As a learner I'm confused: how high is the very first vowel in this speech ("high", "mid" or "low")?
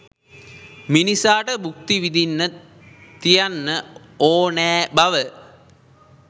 high